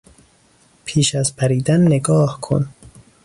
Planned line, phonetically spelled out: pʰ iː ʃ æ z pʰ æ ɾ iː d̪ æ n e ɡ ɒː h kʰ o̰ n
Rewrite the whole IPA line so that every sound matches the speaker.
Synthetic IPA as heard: pʰ iː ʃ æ z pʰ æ ɾ iː d̪ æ nː e ɡ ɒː h kʰ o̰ n